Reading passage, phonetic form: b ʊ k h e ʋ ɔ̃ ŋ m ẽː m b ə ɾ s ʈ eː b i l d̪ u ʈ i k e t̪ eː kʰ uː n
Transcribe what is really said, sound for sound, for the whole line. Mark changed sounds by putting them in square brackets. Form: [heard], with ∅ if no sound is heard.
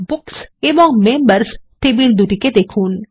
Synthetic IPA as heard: b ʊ k [s] e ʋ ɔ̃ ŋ m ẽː m b ə ɾ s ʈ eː b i l d̪ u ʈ i k e [d̪] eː kʰ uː n